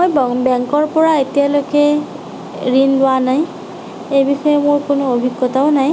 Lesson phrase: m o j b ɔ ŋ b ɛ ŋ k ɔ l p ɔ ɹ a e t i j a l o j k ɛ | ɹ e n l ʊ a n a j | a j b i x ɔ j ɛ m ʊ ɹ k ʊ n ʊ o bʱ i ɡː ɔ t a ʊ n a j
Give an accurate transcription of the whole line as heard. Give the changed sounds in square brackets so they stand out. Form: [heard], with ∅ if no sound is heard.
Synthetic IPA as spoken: m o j b ɔ ŋ b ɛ ŋ k ɔ [ɹ] p ɔ ɹ a e t i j a l o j k ɛ | ɹ [i] n l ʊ a n a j | [e] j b i x ɔ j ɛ m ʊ ɹ k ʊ n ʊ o bʱ i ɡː ɔ t a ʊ n a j